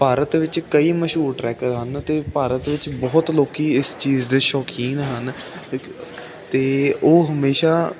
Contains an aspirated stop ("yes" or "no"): no